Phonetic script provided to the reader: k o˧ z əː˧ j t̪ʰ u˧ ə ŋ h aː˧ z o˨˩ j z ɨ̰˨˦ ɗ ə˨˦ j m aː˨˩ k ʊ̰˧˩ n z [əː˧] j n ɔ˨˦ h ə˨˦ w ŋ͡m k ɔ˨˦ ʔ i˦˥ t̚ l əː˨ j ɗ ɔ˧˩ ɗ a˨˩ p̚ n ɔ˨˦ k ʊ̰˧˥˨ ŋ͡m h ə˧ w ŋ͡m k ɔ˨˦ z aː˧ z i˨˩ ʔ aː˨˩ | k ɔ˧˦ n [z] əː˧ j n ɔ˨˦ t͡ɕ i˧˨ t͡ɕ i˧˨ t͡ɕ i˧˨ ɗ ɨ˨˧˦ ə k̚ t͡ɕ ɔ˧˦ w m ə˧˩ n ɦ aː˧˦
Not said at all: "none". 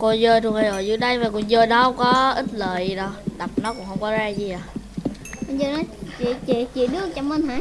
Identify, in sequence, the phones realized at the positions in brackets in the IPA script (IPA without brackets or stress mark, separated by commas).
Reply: əː˧, z